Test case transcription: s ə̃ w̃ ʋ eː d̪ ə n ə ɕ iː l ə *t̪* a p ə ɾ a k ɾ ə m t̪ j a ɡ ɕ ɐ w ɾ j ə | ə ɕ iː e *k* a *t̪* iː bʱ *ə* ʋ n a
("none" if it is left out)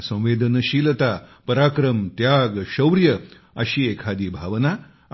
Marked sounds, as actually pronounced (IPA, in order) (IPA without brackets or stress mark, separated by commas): t̪, kʰ, d̪, a